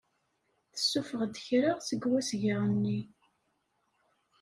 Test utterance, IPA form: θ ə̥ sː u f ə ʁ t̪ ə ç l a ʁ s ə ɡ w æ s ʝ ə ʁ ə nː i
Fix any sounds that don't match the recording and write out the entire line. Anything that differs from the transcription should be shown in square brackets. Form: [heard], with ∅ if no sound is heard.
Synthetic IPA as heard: θ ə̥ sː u f ə ʁ [d̪] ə ç [ɾ] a ʁ s ə ɡ w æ s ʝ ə ʁ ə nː i